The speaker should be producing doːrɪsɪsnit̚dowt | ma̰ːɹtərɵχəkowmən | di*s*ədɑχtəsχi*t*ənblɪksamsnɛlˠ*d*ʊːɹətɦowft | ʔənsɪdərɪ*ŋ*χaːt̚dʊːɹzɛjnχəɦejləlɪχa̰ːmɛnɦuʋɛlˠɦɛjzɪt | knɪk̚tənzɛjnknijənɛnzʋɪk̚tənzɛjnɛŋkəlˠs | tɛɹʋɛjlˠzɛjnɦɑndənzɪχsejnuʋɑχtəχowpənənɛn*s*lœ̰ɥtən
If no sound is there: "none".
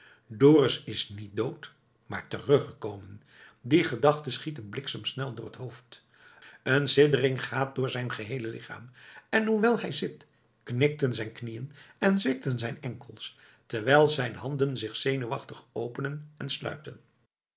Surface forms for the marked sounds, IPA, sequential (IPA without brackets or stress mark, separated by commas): χ, t, d, ŋ, s